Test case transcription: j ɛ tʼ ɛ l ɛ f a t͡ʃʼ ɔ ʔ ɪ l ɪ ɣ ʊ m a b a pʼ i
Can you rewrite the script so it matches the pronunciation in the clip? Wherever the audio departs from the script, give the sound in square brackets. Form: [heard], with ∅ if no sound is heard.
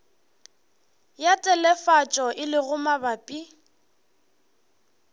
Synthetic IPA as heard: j [a] tʼ ɛ l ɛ f a t͡ʃʼ ɔ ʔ ɪ l ɪ ɣ ʊ m a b a pʼ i